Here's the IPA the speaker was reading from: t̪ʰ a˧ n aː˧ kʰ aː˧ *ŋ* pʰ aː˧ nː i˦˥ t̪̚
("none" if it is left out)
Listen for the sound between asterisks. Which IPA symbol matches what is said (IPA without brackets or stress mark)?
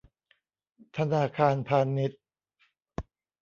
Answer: n